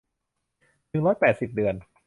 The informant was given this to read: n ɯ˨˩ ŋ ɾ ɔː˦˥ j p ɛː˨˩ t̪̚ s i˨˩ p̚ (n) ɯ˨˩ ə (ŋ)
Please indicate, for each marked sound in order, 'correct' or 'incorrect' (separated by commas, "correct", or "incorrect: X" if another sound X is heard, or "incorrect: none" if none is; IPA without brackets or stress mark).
incorrect: d, incorrect: n